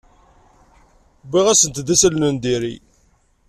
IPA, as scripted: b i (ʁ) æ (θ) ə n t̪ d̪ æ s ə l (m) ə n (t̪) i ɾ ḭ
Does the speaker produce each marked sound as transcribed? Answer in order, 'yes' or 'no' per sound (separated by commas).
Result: yes, no, no, no